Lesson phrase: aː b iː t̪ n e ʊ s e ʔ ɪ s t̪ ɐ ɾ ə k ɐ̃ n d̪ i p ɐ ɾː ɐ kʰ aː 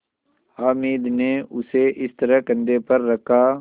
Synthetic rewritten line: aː m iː d̪ n e ʊ s e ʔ ɪ s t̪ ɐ ɾ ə k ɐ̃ n d̪ e p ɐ ɾː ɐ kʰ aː